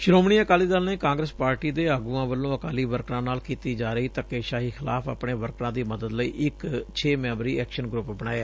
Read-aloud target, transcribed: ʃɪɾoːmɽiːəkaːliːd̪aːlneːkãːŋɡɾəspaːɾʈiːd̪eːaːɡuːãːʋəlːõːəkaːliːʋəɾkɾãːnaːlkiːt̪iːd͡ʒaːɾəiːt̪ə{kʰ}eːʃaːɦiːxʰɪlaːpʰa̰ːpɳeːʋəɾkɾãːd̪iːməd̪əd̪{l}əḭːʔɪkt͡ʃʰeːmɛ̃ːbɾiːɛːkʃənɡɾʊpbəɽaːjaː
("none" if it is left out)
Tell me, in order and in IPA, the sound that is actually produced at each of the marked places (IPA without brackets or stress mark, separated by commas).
k, l